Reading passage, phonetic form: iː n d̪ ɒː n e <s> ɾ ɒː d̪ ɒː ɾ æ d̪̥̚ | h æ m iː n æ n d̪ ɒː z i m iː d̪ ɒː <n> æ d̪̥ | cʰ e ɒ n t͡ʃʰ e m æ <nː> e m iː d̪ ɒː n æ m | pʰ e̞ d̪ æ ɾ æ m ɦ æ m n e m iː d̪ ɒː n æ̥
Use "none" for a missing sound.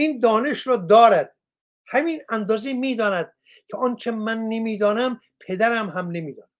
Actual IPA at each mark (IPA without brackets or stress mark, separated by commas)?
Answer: ʃ, n, nː